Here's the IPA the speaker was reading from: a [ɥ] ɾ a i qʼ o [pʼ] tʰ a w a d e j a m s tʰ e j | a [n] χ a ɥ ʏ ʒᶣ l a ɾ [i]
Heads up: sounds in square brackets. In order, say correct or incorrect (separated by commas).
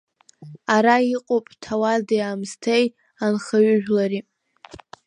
incorrect, correct, correct, correct